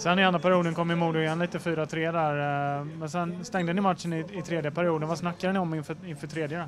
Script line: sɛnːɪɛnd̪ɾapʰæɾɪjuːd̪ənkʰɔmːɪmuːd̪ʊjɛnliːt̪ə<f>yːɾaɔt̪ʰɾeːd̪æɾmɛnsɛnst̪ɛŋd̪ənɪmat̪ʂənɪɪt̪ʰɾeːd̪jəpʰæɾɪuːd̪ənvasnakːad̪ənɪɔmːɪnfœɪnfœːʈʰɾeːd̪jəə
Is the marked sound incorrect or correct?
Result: correct